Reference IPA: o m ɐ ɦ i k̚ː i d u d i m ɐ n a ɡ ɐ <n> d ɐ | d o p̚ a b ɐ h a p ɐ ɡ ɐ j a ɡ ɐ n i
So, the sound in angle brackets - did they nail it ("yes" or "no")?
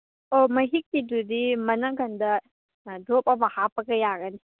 yes